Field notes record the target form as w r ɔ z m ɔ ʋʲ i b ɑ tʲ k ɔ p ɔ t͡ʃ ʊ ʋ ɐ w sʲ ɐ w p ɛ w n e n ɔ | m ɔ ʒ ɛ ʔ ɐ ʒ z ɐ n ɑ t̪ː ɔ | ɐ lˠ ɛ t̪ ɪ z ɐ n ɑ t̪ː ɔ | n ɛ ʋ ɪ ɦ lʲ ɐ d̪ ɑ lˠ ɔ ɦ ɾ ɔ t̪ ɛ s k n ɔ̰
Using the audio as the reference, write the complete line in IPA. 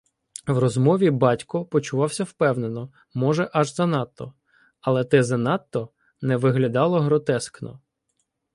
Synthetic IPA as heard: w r ɔ z m ɔ ʋʲ i b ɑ tʲ k ɔ p ɔ t͡ʃ ʊ ʋ ɑ w sʲ ɐ w p ɛ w n e n ɔ | m ɔ ʒ ɛ ʔ ɐ ʒ z ɐ n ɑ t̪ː ɔ | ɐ lˠ ɛ t̪ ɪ z ɐ n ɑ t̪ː ɔ | n ɛ ʋ ɪ ɦ lʲ ɐ d̪ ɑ lˠ ɔ ɦ ɾ ɔ t̪ ɛ s k n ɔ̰